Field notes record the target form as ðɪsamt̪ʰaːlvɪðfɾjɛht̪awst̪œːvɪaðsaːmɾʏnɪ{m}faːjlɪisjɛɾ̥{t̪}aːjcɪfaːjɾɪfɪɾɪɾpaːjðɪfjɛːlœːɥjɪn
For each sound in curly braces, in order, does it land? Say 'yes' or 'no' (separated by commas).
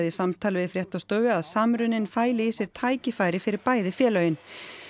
no, no